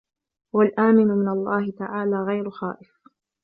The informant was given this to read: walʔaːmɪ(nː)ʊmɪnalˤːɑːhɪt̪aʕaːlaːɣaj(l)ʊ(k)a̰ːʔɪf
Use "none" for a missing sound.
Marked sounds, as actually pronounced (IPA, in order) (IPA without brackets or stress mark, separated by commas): n, ɾ, x